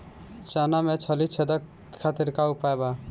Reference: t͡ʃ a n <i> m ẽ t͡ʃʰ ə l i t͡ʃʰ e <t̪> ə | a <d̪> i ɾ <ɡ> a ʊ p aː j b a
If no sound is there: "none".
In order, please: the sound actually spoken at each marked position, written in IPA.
a, d̪, t̪, k

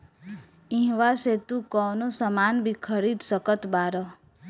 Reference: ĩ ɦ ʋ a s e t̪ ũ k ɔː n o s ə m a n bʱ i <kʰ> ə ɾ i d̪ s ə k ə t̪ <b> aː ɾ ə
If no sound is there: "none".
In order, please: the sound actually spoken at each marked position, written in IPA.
kʰ, b

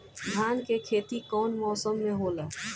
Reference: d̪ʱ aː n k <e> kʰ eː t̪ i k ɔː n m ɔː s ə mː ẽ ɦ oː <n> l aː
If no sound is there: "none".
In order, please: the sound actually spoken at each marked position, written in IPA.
e, none

